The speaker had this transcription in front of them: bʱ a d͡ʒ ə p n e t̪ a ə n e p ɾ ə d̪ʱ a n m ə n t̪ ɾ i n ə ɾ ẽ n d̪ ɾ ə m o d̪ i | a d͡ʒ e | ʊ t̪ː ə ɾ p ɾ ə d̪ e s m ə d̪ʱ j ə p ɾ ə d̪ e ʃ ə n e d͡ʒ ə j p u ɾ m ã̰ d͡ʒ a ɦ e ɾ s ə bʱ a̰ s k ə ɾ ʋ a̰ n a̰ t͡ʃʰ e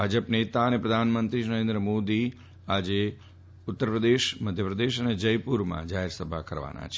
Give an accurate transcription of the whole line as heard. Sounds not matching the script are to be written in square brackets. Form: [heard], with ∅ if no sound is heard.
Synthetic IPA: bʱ a d͡ʒ ə p n e t̪ a ə n e p ɾ ə d̪ʱ a n m ə n t̪ ɾ i n ə ɾ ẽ n d̪ ɾ ə m o d̪ i | a d͡ʒ e | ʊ t̪ː ə ɾ p ɾ ə d̪ e [ʃ] m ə d̪ʱ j ə p ɾ ə d̪ e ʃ ə n e d͡ʒ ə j p u ɾ m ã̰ d͡ʒ a ɦ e ɾ s ə bʱ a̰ [∅] k ə ɾ ʋ a̰ n a̰ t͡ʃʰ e